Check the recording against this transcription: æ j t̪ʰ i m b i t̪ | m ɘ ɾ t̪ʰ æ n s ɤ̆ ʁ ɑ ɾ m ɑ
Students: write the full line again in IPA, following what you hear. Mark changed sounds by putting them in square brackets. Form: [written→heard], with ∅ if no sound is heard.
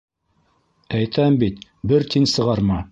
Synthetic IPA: æ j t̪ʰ [i→æ] m b i t̪ | [m→b] ɘ ɾ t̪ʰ [æ→i] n s ɤ̆ ʁ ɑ ɾ m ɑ